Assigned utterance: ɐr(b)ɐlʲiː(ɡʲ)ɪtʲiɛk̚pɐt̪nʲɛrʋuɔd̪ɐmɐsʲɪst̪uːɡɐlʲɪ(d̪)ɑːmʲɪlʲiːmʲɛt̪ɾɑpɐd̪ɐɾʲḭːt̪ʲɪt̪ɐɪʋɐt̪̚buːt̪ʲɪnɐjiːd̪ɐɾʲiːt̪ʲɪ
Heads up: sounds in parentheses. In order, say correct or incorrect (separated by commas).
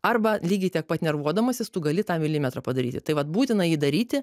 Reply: correct, correct, incorrect